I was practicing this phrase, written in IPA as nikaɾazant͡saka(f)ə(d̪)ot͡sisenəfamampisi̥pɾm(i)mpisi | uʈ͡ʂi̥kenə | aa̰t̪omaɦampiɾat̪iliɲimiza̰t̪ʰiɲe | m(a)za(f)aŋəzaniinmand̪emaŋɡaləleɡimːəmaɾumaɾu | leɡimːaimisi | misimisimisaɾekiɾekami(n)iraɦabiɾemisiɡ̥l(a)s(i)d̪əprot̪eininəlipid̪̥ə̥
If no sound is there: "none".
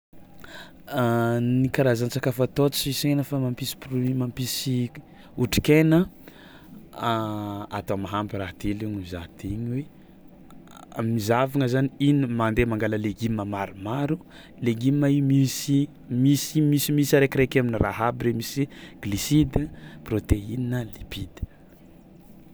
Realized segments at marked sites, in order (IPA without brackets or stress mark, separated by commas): f, t̪, a, i, v, n, i, i